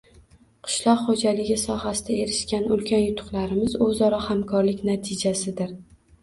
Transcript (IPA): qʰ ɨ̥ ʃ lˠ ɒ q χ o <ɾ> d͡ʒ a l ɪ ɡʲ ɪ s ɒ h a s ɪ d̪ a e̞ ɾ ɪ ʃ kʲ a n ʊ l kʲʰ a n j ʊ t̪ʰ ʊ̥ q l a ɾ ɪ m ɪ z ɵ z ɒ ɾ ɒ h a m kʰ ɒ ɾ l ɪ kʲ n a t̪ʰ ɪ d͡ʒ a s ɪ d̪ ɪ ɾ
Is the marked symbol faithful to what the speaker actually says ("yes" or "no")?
no